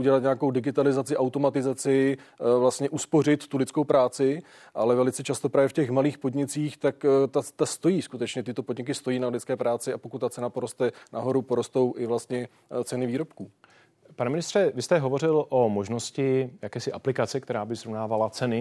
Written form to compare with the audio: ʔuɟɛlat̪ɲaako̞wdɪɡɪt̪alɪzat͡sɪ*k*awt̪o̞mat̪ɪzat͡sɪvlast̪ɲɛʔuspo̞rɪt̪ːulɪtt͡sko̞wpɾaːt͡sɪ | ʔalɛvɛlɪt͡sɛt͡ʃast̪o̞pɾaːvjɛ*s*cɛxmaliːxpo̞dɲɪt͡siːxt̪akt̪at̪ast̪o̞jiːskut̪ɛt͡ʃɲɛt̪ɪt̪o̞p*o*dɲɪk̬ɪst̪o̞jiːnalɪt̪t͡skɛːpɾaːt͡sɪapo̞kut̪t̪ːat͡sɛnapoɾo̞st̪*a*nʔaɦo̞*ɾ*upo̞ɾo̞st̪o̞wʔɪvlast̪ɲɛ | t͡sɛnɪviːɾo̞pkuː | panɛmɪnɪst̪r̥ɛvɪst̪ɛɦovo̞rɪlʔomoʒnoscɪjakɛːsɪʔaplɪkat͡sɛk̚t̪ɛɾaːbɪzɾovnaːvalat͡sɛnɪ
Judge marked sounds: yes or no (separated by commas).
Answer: no, no, yes, no, yes